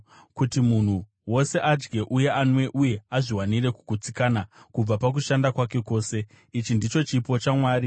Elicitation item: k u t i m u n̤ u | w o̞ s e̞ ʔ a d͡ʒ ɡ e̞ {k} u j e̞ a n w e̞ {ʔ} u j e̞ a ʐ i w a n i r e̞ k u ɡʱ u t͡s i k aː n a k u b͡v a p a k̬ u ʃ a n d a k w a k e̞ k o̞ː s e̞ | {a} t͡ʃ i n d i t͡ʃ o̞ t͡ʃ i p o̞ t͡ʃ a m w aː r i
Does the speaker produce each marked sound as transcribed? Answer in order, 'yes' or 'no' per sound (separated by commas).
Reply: no, yes, no